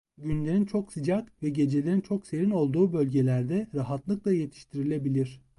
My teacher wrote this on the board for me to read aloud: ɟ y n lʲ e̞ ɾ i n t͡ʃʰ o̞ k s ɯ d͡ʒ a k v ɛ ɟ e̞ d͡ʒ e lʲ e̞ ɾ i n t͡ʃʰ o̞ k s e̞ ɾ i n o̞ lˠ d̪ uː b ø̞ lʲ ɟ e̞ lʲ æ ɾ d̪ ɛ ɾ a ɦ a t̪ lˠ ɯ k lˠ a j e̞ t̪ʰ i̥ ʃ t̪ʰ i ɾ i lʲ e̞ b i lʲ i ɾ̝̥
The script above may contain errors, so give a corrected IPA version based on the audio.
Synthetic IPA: ɟ y n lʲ e̞ ɾ i n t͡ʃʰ o̞ k s ɯ d͡ʒ a k v ɛ ɟ e̞ d͡ʒ e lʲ e̞ ɾ i n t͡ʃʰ o̞ k s e̞ ɾ i n o̞ lˠ d̪ uː b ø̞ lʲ ɟ e̞ lʲ æ ɾ d̪ ɛ ɾ a ɦ a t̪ lˠ ɯ k lˠ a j e̞ t̪ʰ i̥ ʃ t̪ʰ i ɾ i lʲ e̞ b i lʲ i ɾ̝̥